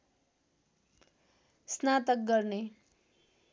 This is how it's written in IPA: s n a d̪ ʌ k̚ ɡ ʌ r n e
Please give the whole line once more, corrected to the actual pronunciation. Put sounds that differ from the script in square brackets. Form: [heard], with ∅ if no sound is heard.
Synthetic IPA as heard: s n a [t̪] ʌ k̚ ɡ ʌ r n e